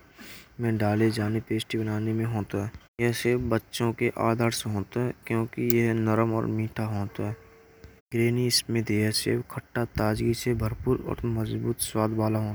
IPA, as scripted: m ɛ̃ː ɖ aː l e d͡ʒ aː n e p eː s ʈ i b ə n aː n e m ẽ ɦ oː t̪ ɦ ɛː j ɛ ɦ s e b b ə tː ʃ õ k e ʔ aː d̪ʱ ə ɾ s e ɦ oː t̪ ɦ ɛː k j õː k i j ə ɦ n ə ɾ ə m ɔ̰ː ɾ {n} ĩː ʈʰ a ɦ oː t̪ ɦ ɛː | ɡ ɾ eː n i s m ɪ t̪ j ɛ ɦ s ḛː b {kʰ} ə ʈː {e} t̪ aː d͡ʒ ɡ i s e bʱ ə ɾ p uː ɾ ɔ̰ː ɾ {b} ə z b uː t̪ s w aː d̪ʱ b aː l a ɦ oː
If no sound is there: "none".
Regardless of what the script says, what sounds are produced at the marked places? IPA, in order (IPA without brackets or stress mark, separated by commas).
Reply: m, kʰ, a, m